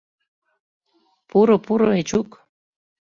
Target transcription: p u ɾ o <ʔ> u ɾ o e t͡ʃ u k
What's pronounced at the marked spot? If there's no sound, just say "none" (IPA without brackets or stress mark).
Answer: p